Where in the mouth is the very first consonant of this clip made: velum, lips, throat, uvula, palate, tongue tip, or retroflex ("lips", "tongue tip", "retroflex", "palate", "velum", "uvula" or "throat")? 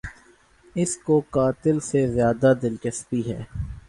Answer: tongue tip